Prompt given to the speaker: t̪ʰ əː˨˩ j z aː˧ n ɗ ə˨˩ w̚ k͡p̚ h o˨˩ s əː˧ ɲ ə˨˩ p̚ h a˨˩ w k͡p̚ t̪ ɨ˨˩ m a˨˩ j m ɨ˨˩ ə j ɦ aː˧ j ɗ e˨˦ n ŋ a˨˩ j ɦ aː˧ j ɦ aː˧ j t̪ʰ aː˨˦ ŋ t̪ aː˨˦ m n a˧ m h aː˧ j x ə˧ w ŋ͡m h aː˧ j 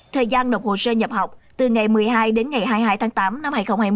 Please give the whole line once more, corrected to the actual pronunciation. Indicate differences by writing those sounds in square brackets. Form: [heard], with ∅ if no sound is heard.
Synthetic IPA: t̪ʰ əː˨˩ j z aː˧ n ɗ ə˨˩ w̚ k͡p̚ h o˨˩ s əː˧ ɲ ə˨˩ p̚ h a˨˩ w k͡p̚ t̪ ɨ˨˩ [ŋ] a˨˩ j m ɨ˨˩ ə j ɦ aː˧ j ɗ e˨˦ n ŋ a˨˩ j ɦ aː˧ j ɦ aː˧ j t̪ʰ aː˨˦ ŋ t̪ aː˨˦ m n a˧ m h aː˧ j x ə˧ w ŋ͡m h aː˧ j